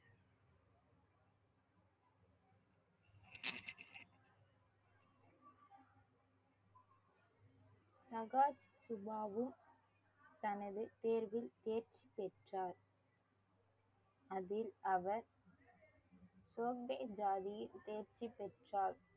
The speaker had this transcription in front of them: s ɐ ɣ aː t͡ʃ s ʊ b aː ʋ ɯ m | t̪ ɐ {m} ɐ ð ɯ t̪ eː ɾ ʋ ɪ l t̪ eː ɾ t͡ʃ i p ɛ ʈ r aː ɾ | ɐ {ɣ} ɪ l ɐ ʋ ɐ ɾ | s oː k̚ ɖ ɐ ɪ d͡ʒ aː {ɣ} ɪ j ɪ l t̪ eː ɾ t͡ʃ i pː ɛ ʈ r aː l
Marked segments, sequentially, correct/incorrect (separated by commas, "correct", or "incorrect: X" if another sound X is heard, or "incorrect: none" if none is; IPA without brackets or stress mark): incorrect: n, incorrect: ð, incorrect: ð